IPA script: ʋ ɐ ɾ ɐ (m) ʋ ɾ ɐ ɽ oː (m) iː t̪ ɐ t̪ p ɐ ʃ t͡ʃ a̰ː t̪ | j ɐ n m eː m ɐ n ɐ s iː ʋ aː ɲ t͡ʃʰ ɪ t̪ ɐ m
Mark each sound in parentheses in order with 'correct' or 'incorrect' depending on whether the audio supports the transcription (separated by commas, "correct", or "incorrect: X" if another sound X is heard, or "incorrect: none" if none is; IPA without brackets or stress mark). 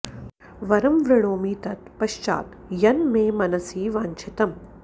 correct, correct